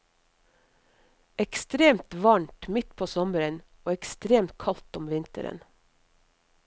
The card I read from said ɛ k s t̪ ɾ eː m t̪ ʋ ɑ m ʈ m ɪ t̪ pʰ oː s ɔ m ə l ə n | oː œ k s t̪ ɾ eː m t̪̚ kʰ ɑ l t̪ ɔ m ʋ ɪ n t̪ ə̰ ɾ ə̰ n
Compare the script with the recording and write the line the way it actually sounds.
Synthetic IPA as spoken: ɛ k s t̪ ɾ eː m t̪ ʋ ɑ ɳ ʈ m ɪ t̪ pʰ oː s ɔ m ə ɾ ə n | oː ɛ k s t̪ ɾ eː m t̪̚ kʰ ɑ l t̪ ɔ m ʋ ɪ n t̪ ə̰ ɾ ə̰ n